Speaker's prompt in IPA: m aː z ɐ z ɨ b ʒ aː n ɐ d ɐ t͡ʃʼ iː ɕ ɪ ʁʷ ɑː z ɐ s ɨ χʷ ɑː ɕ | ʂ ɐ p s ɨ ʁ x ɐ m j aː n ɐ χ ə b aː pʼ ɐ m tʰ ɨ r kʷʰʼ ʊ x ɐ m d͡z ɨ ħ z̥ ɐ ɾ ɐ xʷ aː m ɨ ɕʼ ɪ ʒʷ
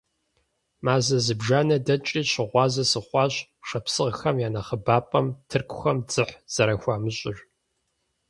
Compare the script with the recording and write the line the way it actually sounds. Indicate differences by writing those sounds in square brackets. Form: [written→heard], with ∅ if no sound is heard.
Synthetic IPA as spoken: m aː z ɐ z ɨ b ʒ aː n ɐ d ɐ t͡ʃʼ iː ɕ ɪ ʁʷ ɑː z ɐ s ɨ χʷ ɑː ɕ | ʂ ɐ p s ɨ ʁ x ɐ m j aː n ɐ χ ə b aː pʼ ɐ m tʰ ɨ r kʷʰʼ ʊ x ɐ m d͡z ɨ ħ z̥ ɐ ɾ ɐ xʷ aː m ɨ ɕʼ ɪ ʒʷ